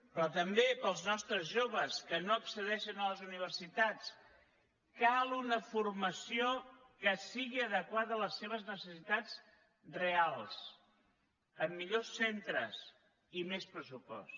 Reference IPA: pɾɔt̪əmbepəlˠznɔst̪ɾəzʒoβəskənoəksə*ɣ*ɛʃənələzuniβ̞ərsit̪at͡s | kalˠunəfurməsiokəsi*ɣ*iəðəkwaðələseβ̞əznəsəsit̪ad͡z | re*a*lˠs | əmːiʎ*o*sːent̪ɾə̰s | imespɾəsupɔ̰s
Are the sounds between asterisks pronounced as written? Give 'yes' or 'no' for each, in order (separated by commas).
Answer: no, yes, yes, yes